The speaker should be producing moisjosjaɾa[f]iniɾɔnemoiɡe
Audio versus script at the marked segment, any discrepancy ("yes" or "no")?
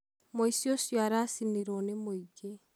yes